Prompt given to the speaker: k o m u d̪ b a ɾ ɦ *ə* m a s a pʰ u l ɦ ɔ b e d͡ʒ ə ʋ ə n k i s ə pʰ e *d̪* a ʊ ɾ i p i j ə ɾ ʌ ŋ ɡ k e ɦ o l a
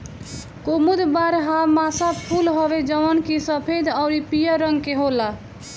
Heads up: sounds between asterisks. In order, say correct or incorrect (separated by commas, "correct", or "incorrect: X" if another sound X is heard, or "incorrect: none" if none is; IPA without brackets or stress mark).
incorrect: a, correct